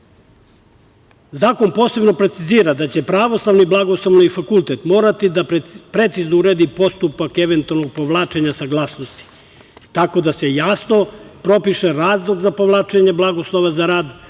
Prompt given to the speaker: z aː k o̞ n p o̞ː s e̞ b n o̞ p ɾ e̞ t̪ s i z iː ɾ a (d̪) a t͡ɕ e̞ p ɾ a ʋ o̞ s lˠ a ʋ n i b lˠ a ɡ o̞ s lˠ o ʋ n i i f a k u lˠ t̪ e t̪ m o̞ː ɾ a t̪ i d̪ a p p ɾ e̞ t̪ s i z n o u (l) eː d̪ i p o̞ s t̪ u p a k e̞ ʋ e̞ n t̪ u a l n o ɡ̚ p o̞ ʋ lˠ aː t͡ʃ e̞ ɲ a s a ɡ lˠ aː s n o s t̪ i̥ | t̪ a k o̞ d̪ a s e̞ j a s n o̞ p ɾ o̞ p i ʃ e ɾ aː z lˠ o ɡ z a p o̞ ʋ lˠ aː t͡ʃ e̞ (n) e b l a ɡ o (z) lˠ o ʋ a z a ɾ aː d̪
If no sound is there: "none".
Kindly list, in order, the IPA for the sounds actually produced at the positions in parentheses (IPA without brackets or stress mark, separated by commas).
d̪, ɾ, ɲ, s